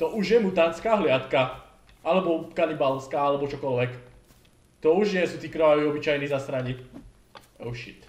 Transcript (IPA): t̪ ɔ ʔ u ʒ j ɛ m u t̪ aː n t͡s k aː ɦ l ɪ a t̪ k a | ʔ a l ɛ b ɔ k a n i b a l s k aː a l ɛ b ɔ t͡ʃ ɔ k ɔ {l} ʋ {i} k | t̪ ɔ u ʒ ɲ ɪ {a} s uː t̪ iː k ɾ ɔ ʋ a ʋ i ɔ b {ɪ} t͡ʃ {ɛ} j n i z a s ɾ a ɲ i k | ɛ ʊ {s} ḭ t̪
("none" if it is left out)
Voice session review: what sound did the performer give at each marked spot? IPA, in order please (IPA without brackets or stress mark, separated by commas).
l, ɛ, ɛ, i, a, ʃ